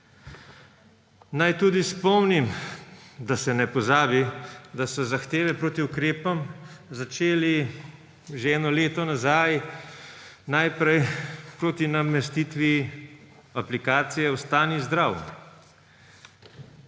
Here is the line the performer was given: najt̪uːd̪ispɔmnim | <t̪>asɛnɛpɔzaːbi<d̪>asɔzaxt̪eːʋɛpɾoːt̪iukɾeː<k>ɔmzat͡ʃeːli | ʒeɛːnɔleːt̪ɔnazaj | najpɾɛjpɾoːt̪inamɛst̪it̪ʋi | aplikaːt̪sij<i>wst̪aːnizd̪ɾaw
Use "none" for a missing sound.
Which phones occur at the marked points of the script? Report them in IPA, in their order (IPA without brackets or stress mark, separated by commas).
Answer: d̪, d̪, p, ɛ